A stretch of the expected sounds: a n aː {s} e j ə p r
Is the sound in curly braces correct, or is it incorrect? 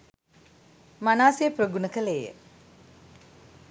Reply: correct